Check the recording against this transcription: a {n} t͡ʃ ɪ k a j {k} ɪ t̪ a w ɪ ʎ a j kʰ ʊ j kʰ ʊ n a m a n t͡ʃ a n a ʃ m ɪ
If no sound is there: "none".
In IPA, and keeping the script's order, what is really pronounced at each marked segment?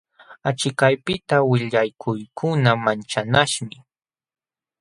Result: none, p

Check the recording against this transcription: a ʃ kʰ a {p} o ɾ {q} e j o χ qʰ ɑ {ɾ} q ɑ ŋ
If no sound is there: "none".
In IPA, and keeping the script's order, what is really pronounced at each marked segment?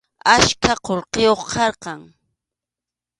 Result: q, q, ɾ

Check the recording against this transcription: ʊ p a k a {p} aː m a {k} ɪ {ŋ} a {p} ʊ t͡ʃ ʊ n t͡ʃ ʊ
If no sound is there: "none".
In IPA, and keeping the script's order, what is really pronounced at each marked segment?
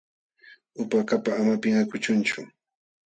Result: p, p, ŋ, k

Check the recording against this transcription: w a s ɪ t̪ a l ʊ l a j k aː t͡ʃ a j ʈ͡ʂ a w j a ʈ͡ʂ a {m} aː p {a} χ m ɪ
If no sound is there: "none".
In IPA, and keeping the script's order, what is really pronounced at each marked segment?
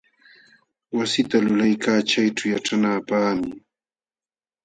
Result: n, a

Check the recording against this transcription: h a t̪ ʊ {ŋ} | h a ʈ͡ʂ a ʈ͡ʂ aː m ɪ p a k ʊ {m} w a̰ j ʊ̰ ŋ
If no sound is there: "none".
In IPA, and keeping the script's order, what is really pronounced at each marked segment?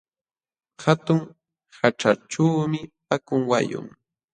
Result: ŋ, ŋ

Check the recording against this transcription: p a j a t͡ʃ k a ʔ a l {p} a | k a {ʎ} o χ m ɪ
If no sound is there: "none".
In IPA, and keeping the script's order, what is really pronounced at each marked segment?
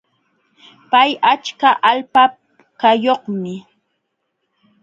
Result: p, j

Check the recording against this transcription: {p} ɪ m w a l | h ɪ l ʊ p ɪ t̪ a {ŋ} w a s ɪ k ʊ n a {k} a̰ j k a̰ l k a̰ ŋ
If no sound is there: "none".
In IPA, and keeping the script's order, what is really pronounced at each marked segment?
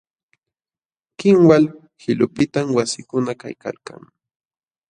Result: k, m, k

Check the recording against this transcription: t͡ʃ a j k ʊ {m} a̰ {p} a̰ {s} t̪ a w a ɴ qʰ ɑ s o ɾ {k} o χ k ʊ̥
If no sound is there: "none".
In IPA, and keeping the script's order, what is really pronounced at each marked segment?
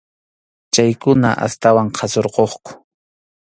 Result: n, ʔ, s, q

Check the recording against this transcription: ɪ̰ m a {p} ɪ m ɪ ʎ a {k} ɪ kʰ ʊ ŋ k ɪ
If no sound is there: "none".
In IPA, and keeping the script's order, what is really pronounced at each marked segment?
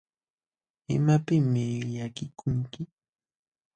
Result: p, k

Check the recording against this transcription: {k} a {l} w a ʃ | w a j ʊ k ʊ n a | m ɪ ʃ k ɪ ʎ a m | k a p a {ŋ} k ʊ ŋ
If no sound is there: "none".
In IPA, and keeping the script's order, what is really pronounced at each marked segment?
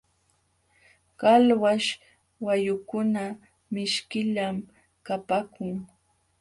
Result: k, l, none

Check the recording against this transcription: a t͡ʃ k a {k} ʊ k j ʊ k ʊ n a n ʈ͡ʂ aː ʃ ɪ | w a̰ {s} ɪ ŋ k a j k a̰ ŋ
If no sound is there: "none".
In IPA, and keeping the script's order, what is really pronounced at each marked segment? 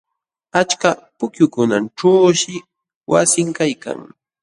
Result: p, s

